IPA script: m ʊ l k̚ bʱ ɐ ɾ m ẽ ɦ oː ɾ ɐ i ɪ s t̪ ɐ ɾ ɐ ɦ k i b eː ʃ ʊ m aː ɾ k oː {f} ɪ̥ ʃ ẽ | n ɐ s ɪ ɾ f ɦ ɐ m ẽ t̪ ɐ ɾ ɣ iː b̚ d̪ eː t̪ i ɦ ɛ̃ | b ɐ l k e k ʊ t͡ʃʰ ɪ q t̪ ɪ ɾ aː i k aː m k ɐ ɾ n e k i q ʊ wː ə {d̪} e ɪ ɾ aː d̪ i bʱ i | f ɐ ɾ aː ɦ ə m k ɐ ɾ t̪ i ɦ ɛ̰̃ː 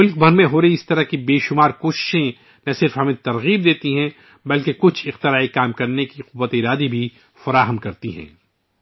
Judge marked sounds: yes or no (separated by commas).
no, no